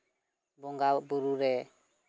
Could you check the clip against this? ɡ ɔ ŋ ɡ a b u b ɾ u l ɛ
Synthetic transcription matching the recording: b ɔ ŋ ɡ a b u ɾ u ɾ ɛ